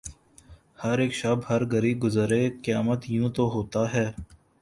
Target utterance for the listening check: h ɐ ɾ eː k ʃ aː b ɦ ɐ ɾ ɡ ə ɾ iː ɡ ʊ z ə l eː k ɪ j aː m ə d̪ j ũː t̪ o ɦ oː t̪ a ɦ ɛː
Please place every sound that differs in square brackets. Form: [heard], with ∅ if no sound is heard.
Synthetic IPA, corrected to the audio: h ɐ ɾ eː k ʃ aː b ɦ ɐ ɾ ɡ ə ɾ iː ɡ ʊ z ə [ɾ] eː k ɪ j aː m ə [t̪] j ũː t̪ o ɦ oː t̪ a ɦ ɛː